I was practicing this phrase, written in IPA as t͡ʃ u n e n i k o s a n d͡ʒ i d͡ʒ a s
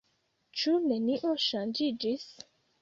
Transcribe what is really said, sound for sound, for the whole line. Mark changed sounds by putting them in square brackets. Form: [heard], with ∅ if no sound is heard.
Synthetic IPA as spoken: t͡ʃ u n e n i [ʔ] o [ʃ] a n d͡ʒ i d͡ʒ [i] s